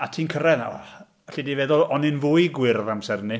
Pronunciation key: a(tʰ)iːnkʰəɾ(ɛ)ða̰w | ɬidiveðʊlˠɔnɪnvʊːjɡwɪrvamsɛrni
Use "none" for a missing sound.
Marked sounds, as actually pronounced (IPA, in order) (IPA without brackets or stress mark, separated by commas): tʰ, ɛ